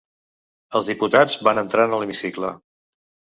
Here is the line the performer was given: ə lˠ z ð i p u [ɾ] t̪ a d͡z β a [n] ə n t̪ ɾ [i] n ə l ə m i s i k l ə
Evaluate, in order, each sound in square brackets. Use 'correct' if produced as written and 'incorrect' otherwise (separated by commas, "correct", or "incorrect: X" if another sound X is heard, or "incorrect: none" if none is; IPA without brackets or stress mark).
incorrect: none, correct, incorrect: a